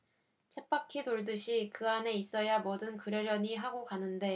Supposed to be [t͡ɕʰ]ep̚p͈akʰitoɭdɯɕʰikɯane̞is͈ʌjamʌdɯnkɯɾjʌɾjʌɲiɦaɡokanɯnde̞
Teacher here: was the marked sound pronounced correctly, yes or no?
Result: yes